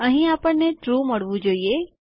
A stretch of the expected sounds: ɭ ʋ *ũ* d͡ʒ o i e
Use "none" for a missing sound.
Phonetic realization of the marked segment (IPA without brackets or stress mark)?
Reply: ũ